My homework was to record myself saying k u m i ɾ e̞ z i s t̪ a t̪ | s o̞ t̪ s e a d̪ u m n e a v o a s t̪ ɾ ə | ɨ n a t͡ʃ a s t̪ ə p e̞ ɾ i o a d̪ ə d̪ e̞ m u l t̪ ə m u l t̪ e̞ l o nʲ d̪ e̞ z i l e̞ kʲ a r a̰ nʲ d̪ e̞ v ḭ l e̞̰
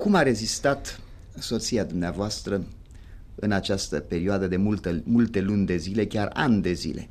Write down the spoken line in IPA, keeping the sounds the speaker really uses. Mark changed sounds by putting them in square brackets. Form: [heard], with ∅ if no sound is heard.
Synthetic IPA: k u m [a] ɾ e̞ z i s t̪ a t̪ | s o̞ t̪ s [i] a d̪ u m n e a v o a s t̪ ɾ ə | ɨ n a t͡ʃ a s t̪ ə p e̞ ɾ i o a d̪ ə d̪ e̞ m u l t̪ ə m u l t̪ e̞ l [u] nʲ d̪ e̞ z i l e̞ kʲ a r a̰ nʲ d̪ e̞ [z] ḭ l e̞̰